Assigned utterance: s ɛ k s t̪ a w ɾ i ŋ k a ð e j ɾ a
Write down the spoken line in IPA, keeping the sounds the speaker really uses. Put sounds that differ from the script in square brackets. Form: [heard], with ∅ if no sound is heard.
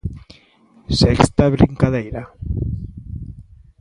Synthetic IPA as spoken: s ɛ k s t̪ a [β] ɾ i ŋ k a ð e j ɾ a